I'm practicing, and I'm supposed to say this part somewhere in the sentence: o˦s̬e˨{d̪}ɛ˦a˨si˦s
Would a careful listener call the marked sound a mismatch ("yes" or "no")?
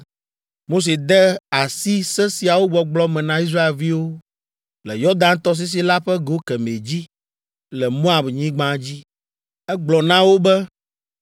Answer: no